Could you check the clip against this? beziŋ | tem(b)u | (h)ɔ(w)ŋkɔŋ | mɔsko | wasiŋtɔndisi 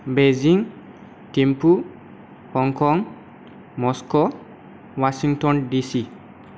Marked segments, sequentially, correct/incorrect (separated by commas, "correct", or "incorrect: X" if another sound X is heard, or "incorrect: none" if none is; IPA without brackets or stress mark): incorrect: p, correct, incorrect: none